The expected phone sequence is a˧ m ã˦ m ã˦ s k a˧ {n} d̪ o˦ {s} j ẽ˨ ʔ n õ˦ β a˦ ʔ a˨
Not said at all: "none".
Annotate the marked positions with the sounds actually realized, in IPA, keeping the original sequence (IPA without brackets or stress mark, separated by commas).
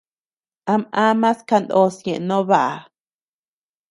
n, s